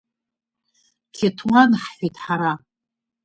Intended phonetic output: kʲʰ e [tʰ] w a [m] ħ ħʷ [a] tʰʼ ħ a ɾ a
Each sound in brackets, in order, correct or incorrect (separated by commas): correct, incorrect, incorrect